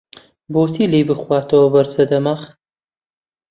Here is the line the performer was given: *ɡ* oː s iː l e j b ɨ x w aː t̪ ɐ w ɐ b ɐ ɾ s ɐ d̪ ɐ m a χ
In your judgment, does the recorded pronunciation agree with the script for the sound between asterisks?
no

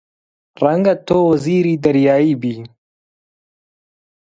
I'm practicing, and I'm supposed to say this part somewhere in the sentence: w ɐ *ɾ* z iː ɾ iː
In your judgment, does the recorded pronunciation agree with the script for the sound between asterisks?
no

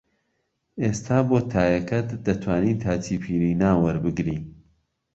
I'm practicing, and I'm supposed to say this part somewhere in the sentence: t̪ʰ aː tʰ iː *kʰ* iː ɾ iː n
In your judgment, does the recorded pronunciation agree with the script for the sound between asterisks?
no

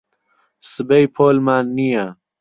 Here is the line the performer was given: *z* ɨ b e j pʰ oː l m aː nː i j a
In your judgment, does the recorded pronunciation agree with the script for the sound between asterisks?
no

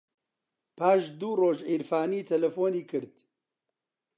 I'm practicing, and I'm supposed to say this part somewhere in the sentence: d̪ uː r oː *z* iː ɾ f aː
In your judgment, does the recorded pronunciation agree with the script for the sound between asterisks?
no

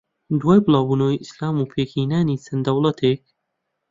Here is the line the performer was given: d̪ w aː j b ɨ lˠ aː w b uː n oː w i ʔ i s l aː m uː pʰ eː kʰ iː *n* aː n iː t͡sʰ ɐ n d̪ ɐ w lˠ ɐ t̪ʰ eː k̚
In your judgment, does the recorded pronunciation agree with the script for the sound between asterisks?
yes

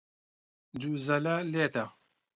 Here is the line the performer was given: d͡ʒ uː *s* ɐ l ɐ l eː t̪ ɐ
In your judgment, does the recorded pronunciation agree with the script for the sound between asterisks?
no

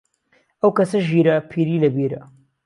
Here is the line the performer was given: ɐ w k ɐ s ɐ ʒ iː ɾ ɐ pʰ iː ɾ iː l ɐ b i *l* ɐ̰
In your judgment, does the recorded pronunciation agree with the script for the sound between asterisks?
no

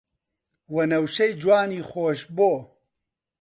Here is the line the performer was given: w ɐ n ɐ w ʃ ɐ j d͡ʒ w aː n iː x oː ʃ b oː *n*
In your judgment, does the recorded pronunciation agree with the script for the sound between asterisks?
no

